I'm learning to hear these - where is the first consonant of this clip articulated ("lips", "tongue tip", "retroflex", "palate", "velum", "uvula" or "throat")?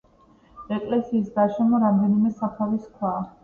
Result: velum